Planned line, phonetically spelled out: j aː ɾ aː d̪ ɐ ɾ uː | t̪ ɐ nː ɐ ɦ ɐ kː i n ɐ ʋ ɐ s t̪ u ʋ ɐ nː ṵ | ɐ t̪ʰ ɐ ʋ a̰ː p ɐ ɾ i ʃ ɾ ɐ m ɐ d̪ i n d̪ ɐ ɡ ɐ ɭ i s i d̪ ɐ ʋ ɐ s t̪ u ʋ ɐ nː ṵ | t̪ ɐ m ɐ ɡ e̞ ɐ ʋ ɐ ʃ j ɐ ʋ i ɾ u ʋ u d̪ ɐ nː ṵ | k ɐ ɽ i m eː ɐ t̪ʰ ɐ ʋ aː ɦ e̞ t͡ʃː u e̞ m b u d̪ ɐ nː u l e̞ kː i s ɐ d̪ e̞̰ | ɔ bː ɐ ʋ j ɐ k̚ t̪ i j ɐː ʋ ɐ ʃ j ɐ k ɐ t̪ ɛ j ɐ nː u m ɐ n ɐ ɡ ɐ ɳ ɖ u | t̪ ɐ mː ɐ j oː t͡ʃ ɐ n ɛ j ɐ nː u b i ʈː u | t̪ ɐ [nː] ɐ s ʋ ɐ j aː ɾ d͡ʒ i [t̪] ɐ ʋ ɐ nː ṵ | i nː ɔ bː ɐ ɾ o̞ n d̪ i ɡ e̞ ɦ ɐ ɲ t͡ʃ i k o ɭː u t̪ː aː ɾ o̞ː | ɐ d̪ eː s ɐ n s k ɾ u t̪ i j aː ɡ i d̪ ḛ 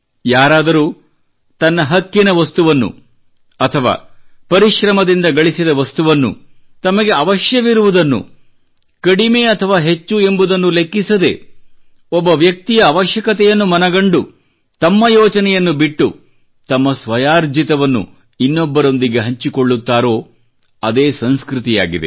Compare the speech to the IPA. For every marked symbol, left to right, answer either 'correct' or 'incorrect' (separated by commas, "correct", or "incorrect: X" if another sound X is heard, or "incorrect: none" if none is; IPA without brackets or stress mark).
incorrect: mː, correct